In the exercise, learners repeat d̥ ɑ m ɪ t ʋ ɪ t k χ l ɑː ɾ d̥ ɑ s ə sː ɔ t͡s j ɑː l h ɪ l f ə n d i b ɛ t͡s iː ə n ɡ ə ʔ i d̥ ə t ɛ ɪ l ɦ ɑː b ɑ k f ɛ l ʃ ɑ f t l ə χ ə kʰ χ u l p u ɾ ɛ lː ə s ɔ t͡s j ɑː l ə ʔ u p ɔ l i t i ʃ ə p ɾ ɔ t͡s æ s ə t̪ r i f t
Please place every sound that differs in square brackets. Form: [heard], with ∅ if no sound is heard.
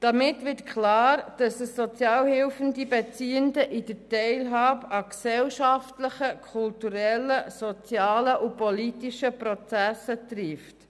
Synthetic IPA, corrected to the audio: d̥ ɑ m ɪ t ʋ ɪ t k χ l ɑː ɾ d̥ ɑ s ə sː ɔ t͡s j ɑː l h ɪ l f ə n d i b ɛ t͡s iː ə n [d] ə ʔ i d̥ ə t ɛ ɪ l ɦ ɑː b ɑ k [s] ɛ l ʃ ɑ f t l ə χ ə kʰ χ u l [t] u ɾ ɛ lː ə s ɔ t͡s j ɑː l ə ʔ u p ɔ l i t i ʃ ə p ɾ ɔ t͡s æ s ə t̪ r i f t